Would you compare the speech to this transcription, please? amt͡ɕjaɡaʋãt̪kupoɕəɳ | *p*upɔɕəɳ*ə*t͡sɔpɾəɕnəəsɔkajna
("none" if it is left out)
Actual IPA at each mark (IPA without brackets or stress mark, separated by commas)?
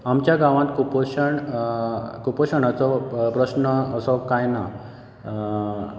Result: k, a